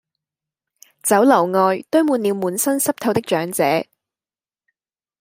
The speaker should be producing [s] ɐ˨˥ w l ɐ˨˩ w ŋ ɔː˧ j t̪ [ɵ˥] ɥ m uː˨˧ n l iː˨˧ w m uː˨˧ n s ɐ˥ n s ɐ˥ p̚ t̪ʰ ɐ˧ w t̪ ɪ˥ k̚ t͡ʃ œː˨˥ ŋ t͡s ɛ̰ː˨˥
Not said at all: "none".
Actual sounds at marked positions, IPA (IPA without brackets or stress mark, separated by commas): t͡s, ɵ˥